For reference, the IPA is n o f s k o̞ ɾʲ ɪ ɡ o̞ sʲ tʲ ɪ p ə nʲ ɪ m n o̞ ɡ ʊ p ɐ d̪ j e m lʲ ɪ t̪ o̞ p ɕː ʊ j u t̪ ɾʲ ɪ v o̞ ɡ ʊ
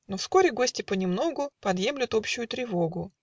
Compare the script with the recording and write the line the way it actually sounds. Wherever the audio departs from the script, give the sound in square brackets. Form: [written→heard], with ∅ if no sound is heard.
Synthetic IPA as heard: n o f s k o̞ ɾʲ ɪ ɡ o̞ sʲ tʲ ɪ p ə nʲ ɪ m n o̞ ɡ ʊ p ɐ d̪ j e m lʲ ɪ t̪ o̞ p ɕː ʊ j [u→ʊ] t̪ ɾʲ ɪ v o̞ ɡ ʊ